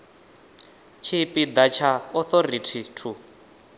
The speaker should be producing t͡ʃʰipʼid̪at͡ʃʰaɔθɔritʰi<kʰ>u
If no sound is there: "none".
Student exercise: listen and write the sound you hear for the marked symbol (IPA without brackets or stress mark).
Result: tʰ